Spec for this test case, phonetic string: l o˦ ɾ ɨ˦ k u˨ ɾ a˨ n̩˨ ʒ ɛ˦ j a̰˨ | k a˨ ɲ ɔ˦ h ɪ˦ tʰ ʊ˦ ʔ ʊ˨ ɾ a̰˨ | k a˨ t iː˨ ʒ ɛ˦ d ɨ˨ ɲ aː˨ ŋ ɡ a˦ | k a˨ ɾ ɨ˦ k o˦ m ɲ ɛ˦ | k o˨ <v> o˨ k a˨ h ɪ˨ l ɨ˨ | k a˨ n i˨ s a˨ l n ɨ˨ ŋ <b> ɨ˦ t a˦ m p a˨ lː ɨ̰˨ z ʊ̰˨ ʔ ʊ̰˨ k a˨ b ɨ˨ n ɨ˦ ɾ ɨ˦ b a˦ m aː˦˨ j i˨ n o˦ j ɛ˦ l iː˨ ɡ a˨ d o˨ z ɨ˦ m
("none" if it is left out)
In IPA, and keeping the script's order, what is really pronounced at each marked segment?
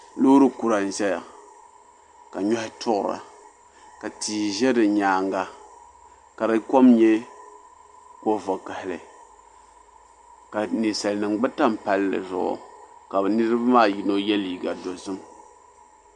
v, ɡ͡b

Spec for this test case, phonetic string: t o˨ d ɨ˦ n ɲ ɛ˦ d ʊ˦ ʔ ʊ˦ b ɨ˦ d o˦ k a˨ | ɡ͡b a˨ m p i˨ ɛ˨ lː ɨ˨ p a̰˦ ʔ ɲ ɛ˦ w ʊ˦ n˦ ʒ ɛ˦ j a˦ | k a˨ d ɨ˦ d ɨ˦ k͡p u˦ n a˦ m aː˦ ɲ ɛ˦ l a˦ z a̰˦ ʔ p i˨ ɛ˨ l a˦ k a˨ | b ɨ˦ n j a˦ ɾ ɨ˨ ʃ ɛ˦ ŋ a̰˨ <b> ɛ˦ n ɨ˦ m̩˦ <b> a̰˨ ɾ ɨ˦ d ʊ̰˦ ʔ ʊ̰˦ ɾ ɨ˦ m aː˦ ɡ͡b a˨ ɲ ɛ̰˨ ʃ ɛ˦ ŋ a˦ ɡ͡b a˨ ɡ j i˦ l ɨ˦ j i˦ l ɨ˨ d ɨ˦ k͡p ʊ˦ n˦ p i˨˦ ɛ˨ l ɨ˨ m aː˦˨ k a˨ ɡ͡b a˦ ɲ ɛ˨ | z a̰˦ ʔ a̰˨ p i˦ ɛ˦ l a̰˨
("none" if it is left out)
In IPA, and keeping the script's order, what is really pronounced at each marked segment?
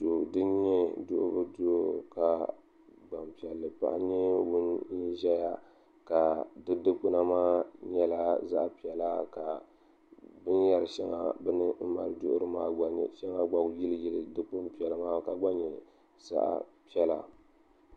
b, m

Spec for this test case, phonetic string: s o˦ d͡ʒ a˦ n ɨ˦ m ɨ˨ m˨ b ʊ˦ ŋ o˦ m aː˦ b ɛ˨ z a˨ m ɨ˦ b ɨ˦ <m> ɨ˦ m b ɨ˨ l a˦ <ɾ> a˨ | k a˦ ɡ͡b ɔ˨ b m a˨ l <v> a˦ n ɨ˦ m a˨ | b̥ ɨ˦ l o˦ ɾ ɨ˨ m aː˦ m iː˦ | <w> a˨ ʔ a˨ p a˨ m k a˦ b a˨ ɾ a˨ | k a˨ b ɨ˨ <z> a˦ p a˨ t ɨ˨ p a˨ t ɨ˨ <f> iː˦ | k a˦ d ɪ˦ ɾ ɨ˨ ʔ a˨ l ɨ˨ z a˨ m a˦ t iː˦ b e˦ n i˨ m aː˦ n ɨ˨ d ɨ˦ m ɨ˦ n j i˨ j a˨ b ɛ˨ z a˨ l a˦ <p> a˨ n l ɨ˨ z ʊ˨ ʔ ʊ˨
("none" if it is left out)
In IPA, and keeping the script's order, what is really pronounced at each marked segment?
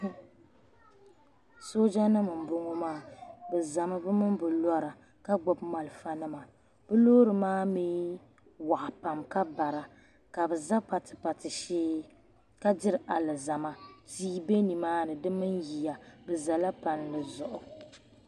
m, ɾ, f, w, z, ʃ, p

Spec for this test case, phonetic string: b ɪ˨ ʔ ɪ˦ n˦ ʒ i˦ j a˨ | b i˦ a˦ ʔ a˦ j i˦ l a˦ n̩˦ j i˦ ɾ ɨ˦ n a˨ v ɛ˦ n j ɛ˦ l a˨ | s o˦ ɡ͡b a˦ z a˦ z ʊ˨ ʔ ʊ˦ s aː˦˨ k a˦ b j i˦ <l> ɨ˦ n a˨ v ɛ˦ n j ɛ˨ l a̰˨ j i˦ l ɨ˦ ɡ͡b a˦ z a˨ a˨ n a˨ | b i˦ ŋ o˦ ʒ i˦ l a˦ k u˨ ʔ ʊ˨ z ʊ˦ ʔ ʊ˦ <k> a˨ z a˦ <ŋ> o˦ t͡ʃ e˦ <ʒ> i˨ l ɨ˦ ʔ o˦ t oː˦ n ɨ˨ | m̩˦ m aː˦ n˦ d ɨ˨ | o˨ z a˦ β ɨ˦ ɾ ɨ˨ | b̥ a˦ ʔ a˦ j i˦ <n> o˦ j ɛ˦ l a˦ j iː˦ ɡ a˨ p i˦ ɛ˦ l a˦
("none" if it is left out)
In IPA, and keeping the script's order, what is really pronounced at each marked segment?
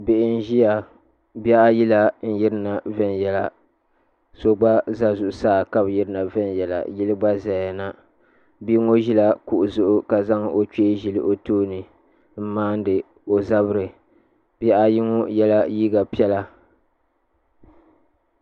ɾ, k, ŋ, ʒ, ŋ

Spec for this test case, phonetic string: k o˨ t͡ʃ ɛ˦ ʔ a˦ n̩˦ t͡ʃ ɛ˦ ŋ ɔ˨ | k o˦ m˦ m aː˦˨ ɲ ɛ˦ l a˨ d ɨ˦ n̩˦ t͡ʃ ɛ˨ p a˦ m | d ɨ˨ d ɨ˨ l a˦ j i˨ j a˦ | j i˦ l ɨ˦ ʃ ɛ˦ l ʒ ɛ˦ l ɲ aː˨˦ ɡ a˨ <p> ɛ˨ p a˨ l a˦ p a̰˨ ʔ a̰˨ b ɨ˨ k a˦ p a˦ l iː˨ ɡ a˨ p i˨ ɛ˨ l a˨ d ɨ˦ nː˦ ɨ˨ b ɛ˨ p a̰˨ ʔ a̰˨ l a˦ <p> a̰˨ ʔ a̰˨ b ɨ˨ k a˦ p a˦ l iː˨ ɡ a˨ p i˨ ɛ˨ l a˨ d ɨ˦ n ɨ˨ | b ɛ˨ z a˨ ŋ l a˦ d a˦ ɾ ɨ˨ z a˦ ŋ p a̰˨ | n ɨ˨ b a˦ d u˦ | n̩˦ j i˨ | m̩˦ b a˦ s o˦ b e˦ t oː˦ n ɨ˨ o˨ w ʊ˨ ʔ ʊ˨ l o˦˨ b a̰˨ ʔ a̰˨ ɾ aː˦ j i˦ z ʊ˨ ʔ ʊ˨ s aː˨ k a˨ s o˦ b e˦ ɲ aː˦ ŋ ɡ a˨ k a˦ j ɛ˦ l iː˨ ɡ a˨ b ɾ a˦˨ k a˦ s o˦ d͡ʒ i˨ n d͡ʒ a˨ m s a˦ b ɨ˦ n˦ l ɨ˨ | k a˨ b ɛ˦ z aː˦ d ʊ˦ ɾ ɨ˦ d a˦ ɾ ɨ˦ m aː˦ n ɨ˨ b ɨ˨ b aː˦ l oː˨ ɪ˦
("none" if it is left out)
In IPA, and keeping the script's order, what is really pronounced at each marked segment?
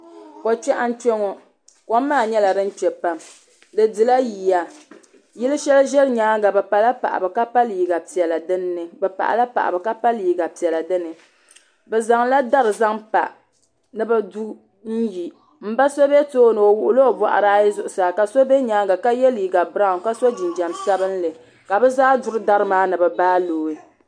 b, p

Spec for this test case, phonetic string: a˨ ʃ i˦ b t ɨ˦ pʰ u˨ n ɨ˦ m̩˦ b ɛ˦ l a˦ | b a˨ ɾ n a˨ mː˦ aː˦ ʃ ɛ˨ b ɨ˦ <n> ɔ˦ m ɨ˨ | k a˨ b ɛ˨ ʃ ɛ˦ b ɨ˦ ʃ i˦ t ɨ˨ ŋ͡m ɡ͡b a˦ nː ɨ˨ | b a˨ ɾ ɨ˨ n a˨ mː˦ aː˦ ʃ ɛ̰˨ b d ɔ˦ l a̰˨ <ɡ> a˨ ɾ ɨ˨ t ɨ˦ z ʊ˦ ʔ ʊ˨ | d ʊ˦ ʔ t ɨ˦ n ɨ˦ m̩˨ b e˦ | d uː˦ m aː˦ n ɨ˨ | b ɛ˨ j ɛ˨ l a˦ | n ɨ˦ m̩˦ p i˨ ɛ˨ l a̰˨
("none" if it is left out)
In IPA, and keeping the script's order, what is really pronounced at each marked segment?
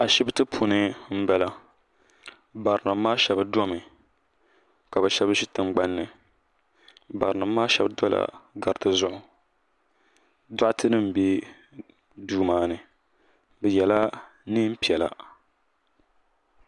d, ɡ

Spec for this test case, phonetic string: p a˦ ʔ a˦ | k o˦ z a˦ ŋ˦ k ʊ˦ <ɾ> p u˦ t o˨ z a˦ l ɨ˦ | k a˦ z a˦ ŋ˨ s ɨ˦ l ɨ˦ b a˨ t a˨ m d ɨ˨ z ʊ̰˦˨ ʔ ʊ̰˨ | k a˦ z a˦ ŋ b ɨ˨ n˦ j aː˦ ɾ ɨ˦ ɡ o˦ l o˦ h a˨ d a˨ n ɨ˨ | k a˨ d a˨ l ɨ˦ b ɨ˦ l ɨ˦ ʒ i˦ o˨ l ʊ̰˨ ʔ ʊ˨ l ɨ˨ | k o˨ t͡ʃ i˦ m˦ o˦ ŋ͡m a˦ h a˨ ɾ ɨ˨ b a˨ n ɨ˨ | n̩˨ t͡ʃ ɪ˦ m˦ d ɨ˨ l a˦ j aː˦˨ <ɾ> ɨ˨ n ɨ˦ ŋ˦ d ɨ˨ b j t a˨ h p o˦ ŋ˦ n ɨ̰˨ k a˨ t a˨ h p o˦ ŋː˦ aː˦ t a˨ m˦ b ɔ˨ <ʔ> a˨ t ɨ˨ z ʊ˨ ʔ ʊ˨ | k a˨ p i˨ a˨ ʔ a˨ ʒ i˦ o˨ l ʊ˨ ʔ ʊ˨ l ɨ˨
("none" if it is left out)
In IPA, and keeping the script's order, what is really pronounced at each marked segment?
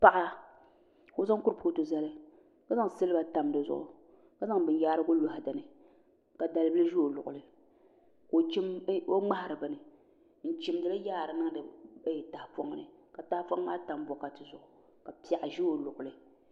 ɾ, ɾ, k

